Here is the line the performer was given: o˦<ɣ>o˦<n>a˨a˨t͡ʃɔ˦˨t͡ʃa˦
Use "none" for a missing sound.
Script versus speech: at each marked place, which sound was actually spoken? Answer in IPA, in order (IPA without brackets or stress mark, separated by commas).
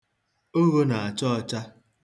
ɣ, n